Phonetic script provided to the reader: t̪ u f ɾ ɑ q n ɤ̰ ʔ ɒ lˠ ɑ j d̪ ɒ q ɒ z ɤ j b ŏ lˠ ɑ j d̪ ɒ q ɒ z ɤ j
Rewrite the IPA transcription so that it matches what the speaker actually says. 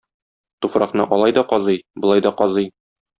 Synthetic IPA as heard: t̪ u f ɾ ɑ q n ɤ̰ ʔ ɒ lˠ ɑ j d̪ ɒ q ɒ z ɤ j b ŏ lˠ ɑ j d̪ ɒ q ɒ z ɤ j